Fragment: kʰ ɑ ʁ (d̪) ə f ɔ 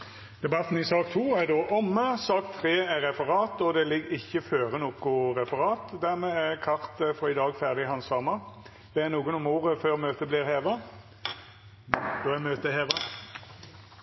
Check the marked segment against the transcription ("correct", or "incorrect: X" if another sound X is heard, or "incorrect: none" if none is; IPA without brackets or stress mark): incorrect: t̪